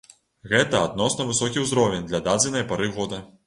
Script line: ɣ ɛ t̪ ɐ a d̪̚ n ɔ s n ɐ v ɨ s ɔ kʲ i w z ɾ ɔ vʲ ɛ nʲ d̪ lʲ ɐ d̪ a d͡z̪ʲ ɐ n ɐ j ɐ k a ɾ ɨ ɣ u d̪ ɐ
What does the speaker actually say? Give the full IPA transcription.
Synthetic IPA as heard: ɣ ɛ t̪ ɐ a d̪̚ n ɔ s n ɐ v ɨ s ɔ kʲ i w z ɾ ɔ vʲ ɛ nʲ d̪ lʲ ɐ d̪ a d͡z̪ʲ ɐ n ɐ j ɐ p a ɾ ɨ ɣ ɔ d̪ ɐ